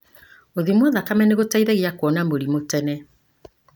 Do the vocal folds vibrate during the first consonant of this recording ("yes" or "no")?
yes